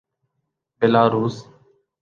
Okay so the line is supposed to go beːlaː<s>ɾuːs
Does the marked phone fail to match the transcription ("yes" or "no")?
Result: yes